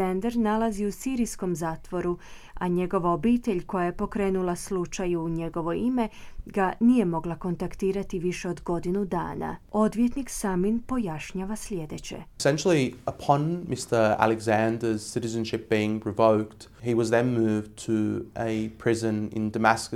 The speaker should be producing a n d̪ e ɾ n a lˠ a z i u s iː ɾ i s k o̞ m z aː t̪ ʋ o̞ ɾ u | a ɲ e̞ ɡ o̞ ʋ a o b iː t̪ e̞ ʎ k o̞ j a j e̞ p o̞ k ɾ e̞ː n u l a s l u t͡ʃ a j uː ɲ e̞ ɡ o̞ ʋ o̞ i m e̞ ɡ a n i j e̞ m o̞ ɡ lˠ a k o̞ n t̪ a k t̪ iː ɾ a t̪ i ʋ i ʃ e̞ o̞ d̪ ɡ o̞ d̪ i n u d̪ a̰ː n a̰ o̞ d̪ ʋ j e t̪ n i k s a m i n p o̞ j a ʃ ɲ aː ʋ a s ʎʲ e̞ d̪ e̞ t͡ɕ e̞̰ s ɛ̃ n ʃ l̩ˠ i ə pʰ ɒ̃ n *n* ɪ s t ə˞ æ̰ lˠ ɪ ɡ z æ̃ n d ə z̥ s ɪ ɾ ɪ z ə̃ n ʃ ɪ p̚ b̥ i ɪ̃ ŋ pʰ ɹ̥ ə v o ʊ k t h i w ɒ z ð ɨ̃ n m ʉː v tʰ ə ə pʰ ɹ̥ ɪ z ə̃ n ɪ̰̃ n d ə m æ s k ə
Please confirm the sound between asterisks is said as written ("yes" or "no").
no